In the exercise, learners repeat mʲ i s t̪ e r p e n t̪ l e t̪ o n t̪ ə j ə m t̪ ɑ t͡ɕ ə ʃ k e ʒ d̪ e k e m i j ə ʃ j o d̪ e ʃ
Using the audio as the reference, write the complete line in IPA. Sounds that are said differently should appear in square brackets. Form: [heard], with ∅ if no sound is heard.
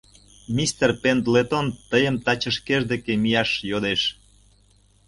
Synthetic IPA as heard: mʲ i s t̪ e r p e n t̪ l e t̪ o n t̪ ə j ə m t̪ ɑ t͡ɕ ə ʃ k e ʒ d̪ e k e m i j [ɑ] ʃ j o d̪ e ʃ